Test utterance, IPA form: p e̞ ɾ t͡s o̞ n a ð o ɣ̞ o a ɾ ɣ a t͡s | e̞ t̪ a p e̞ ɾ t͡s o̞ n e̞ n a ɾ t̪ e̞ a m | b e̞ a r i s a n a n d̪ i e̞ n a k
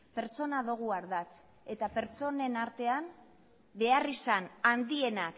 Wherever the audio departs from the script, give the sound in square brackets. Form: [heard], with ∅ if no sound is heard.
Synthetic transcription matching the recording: p e̞ ɾ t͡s o̞ n a ð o ɣ̞ [u] a ɾ [ð] a t͡s | e̞ t̪ a p e̞ ɾ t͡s o̞ n e̞ n a ɾ t̪ e̞ a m | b e̞ a r i s a n a n d̪ i e̞ n a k